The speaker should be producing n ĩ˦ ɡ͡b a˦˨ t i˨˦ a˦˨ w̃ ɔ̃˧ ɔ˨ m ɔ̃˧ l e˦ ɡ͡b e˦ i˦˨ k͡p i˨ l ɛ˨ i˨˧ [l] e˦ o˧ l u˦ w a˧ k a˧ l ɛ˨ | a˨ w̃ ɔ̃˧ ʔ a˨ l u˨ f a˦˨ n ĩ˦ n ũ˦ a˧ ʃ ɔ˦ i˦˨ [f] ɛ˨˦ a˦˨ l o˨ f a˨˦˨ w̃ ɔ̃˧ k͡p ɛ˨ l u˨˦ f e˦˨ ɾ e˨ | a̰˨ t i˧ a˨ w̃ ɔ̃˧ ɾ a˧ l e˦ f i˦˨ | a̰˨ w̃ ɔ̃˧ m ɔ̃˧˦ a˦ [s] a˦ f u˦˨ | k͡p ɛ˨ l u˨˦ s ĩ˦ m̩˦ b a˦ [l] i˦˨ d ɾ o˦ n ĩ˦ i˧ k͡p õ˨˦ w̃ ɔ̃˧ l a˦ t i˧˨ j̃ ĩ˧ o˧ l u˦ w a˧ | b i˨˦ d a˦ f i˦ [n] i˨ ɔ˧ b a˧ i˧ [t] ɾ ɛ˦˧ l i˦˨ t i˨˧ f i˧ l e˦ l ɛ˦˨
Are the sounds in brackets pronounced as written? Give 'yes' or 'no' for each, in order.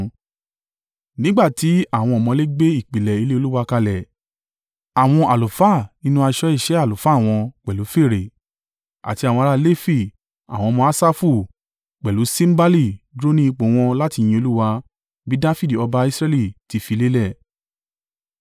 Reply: yes, no, yes, yes, no, no

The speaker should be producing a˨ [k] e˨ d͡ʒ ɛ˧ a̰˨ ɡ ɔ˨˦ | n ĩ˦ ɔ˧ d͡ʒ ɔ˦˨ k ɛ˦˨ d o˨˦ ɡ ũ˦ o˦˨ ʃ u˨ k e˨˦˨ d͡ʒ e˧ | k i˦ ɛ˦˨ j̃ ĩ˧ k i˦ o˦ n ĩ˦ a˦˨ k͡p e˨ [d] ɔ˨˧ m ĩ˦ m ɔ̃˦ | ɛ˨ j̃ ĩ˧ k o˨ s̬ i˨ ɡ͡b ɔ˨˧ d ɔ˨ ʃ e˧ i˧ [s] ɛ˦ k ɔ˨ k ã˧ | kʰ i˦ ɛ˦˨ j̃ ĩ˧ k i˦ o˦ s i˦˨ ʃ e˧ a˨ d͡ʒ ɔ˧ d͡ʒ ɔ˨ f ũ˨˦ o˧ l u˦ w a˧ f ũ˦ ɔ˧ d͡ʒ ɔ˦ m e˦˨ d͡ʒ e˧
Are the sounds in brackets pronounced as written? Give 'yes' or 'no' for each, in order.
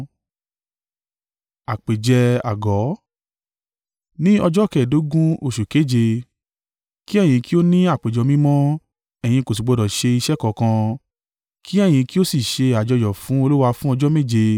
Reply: no, no, no

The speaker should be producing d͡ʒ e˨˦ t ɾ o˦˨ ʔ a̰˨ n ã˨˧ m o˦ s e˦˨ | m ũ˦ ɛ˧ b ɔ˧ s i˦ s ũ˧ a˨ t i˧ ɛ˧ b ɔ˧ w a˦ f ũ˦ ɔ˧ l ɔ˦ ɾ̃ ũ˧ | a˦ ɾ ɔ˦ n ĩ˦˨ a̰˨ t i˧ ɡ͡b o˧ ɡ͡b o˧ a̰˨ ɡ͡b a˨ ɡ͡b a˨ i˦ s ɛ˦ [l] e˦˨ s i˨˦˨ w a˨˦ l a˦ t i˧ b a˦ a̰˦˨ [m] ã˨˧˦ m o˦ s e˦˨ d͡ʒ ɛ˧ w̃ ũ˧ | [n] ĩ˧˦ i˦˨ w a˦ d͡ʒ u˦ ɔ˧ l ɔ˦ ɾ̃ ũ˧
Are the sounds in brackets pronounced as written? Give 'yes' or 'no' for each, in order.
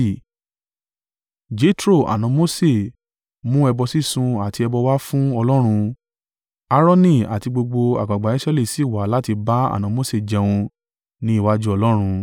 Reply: yes, no, yes

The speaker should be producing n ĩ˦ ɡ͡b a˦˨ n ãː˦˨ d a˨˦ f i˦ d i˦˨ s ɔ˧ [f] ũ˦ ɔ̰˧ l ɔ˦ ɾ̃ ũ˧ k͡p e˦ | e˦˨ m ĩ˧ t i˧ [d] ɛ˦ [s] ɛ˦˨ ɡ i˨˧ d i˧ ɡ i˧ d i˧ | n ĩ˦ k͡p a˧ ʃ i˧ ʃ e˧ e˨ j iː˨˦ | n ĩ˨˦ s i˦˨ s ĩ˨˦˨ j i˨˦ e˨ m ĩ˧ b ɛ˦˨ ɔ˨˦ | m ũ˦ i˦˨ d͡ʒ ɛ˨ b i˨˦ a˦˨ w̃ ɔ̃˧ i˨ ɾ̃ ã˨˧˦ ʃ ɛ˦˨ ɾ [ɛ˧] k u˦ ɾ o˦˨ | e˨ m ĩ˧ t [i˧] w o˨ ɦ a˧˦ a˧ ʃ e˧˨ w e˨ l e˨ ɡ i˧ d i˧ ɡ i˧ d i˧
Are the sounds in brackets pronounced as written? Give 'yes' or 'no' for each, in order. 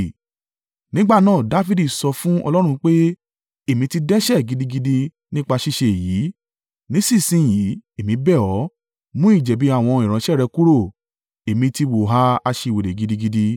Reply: yes, yes, no, yes, yes

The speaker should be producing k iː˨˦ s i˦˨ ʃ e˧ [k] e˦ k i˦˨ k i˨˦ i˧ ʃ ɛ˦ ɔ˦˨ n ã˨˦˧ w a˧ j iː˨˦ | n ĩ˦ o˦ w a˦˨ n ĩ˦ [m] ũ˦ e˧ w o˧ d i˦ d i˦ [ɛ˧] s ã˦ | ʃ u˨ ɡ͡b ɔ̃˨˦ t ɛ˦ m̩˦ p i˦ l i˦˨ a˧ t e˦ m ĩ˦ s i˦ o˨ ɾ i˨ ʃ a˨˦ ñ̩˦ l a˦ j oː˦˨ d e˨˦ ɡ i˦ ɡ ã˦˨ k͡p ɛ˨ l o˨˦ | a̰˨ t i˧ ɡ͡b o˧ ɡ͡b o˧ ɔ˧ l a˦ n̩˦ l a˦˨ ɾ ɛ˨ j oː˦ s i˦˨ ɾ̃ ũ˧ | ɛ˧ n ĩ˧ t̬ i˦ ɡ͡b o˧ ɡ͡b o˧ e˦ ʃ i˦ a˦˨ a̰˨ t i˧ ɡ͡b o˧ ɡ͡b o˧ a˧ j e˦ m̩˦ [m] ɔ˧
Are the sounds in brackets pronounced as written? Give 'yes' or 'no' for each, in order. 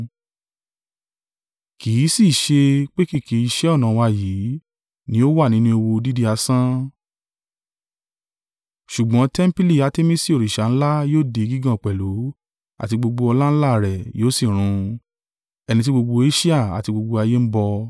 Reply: no, no, no, no

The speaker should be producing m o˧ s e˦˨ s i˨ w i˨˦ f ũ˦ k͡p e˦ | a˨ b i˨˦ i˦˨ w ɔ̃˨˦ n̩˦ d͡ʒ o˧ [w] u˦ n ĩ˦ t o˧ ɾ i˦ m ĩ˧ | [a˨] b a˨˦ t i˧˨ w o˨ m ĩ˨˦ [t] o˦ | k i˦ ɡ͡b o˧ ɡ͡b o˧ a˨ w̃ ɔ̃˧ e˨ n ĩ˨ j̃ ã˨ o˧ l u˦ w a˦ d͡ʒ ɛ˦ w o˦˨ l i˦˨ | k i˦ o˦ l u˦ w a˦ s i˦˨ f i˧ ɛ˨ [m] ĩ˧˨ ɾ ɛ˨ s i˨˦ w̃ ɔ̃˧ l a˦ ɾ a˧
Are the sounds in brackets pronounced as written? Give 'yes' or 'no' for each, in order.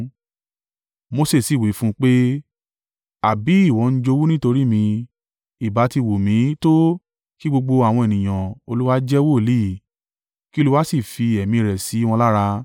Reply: yes, no, yes, yes

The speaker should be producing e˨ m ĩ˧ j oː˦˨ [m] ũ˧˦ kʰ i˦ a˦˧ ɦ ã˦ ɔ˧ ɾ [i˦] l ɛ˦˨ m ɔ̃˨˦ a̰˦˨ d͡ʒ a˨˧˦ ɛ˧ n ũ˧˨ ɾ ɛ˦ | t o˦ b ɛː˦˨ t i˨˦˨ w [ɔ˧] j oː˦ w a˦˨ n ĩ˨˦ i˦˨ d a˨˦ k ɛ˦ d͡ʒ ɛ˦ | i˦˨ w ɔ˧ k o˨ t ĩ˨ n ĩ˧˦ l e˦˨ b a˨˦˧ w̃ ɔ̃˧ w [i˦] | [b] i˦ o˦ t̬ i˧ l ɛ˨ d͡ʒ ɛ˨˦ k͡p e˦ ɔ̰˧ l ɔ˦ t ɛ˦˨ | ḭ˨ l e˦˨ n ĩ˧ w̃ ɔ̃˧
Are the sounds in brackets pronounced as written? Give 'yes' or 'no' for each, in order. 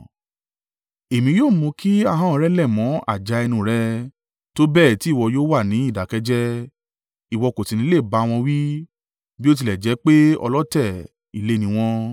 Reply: yes, no, yes, yes, yes

